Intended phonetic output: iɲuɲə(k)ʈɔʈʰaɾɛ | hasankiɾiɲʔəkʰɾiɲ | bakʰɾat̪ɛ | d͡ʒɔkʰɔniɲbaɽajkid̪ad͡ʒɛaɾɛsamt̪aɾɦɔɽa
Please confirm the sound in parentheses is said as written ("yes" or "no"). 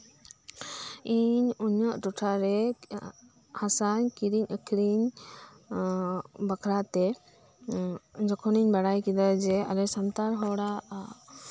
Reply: no